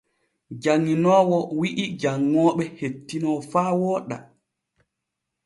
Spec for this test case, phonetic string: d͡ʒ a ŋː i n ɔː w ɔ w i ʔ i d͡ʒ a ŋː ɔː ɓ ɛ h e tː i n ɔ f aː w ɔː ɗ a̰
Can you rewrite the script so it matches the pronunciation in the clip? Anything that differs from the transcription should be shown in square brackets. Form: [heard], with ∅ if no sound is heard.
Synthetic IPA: d͡ʒ a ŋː i n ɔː w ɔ w i ʔ i d͡ʒ a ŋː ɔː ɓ ɛ h e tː i n ɔ f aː w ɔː ɗ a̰